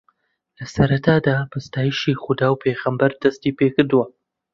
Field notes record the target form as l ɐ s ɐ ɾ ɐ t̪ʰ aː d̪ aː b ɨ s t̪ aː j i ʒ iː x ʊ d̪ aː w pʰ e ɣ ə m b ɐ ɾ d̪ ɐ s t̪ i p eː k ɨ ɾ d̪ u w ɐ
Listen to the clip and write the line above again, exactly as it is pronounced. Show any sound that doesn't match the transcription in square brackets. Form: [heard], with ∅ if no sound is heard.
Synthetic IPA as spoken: l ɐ s ɐ ɾ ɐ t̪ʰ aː d̪ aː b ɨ s t̪ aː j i [ʃ] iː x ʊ d̪ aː w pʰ e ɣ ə m b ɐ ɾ d̪ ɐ s t̪ i p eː k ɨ ɾ d̪ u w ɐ